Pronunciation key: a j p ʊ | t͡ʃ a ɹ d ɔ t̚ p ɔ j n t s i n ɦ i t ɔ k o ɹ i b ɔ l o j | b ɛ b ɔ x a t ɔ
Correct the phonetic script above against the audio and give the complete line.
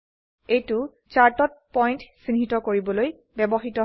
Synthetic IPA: e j t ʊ | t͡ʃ a ɹ t ɔ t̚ p ɔ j n t s i n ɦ i t ɔ k o ɹ i b ɔ l o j | b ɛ b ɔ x i t ɔ